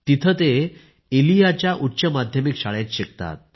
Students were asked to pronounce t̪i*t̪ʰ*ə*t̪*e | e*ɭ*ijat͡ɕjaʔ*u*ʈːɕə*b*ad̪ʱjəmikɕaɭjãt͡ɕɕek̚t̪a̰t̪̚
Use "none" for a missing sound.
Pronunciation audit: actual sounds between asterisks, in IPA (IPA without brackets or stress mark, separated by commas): t̪ʰ, t̪, l, u, m